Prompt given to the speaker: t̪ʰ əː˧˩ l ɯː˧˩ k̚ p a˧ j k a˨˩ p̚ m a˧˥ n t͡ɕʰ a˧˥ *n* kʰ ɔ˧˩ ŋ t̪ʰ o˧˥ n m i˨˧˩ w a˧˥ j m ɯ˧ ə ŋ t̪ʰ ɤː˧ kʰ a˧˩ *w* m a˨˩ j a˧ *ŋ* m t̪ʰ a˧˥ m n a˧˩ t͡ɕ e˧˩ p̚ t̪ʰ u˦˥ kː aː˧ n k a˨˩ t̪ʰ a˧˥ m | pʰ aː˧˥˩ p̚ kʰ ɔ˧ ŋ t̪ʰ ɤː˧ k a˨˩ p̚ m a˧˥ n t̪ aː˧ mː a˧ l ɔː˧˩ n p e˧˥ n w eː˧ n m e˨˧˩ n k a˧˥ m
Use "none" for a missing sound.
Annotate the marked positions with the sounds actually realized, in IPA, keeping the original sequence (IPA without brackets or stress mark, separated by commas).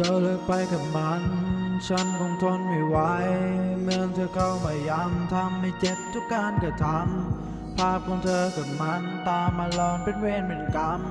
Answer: n, w, none